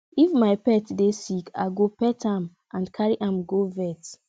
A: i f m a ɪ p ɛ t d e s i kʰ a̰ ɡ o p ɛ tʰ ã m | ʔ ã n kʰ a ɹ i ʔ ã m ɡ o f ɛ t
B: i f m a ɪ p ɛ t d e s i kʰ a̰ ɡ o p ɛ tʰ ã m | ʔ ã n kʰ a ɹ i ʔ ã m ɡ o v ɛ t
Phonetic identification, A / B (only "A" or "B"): B